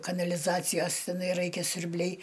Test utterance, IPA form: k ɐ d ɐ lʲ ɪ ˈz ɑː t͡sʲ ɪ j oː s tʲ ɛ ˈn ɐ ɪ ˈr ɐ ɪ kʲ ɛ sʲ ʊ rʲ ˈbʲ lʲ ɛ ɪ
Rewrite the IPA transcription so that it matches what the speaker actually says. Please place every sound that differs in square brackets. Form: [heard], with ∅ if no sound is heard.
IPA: k ɐ [n] ɐ lʲ ɪ ˈz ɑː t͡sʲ ɪ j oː s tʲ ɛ ˈn ɐ ɪ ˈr ɐ ɪ kʲ ɛ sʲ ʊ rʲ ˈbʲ lʲ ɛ ɪ